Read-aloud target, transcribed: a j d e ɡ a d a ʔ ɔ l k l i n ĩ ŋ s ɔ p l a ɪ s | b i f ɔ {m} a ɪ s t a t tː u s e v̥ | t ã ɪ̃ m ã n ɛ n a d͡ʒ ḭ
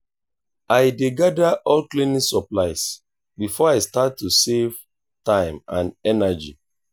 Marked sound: incorrect: none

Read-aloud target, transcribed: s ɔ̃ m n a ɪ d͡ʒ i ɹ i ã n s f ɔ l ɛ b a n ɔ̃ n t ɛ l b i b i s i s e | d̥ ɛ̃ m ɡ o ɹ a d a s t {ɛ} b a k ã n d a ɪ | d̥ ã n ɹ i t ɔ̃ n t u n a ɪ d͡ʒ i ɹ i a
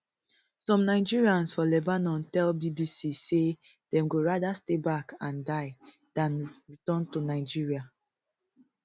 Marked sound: incorrect: e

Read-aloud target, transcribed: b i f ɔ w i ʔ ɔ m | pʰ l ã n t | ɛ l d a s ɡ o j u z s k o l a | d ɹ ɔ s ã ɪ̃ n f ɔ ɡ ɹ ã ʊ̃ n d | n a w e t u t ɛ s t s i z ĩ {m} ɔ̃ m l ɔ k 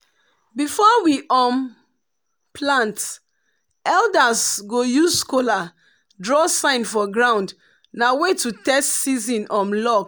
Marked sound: incorrect: n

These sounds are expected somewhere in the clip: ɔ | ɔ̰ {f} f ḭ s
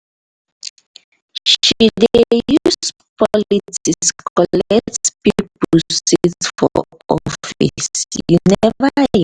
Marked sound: correct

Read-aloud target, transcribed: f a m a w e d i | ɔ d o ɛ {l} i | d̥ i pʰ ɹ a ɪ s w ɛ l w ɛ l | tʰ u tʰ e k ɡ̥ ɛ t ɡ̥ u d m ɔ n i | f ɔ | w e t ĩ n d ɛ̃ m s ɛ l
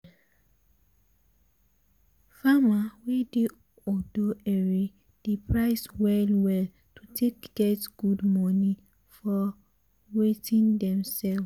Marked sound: incorrect: ɹ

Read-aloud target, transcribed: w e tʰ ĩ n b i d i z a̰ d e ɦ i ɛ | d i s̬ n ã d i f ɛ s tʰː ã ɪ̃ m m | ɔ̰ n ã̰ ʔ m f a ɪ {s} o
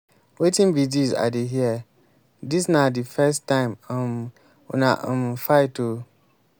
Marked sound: incorrect: t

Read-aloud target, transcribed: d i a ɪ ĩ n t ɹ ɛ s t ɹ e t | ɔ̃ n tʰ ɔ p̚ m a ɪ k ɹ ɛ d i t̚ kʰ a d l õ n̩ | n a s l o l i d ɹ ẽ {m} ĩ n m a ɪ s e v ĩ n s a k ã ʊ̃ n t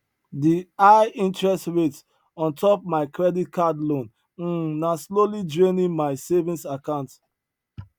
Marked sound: incorrect: n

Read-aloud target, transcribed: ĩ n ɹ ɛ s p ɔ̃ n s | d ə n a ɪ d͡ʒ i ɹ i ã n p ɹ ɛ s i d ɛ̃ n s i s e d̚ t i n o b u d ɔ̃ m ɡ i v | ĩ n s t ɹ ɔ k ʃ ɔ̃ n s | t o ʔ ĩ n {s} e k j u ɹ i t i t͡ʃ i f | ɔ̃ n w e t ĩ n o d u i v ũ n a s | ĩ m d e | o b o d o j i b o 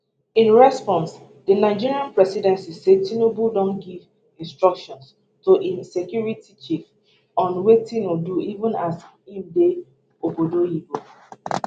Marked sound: correct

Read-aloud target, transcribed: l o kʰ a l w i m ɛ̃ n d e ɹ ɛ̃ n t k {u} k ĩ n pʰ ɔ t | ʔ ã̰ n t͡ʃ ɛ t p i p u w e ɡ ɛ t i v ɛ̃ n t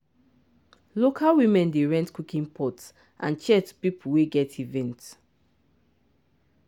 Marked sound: correct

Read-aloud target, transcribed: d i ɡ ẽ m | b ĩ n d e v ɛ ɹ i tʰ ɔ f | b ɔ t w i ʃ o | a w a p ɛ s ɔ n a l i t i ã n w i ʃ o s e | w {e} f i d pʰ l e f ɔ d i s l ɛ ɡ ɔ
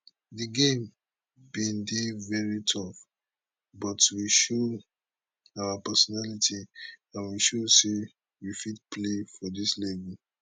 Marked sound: incorrect: i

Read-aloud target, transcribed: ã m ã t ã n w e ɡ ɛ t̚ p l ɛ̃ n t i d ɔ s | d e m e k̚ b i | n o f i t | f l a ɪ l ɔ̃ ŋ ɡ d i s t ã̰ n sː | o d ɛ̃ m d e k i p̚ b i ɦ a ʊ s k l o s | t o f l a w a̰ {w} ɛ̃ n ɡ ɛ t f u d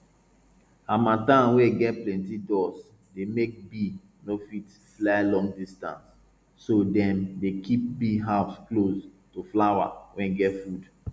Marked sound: correct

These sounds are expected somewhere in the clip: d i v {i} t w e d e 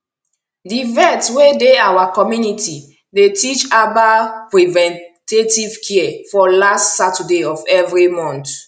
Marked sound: incorrect: ɛ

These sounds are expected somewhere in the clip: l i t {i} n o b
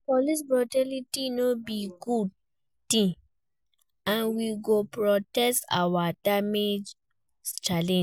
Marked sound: correct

